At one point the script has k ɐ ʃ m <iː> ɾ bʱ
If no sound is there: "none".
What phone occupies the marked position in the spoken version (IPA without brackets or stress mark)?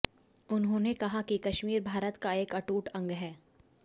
iː